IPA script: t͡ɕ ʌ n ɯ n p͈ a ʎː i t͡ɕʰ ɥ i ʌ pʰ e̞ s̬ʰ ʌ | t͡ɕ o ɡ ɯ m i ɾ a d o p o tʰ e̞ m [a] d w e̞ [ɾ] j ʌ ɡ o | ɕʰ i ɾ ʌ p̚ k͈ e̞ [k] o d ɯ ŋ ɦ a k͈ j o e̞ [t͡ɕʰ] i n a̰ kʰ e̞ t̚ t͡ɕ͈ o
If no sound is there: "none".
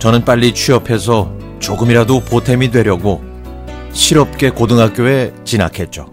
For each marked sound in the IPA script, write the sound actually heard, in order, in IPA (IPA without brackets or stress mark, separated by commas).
i, ɾ, k, t͡ɕ